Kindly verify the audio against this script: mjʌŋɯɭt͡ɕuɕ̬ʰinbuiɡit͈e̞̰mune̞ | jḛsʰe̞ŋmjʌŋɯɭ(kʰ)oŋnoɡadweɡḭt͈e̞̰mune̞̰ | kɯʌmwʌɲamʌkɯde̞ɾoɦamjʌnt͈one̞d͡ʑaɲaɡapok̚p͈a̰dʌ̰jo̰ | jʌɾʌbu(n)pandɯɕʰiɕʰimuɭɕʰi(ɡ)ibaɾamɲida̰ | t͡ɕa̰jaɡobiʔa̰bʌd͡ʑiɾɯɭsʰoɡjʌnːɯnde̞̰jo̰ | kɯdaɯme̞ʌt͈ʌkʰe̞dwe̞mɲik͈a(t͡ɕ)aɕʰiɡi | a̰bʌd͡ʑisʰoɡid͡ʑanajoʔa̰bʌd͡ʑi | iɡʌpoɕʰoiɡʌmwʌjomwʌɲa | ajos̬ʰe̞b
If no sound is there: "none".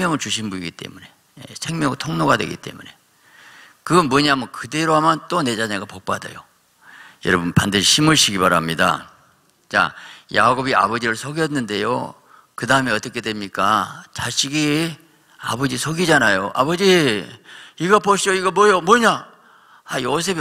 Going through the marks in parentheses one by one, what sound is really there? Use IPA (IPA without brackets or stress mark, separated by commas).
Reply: tʰ, n, ɡ, t͡ɕ